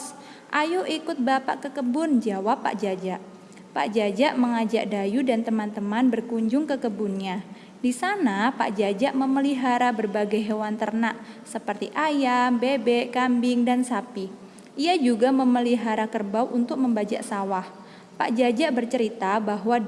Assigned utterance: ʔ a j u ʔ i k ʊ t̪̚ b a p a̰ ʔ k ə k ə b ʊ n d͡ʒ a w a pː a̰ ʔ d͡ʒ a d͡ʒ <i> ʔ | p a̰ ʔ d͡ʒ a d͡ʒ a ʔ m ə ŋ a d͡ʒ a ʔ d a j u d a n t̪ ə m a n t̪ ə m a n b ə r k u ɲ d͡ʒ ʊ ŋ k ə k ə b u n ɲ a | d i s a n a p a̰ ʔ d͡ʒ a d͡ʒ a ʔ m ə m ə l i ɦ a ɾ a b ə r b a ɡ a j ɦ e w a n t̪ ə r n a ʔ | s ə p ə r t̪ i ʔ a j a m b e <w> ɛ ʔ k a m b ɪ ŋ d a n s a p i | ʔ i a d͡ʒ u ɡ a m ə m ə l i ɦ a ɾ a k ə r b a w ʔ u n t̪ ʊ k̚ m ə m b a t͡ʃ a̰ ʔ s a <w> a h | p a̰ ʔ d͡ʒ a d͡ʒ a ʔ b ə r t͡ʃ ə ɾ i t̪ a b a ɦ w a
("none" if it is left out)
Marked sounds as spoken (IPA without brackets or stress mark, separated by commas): a, b, w